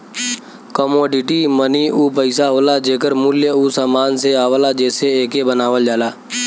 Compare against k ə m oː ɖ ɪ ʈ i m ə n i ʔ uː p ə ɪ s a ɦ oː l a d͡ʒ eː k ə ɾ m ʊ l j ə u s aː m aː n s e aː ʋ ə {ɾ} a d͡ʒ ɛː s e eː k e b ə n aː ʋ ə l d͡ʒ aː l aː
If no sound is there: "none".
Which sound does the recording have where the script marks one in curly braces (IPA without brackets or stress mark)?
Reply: l